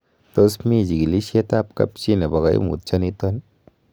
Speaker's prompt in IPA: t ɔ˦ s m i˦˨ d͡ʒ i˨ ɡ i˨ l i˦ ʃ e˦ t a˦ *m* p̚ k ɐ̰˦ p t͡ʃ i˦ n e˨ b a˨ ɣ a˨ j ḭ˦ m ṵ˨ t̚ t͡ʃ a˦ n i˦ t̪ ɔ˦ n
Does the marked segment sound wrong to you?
yes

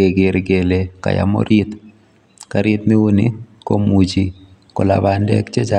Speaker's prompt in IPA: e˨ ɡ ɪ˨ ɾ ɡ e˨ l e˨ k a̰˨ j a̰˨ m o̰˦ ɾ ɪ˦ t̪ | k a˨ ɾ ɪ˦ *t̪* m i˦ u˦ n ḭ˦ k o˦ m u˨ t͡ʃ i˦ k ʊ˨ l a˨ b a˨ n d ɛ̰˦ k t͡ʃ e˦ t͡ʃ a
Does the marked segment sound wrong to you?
no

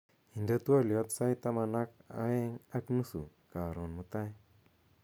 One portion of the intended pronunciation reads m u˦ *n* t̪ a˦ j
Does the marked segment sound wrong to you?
yes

